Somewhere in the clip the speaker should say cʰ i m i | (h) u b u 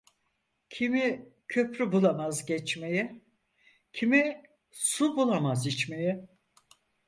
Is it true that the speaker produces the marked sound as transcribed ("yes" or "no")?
no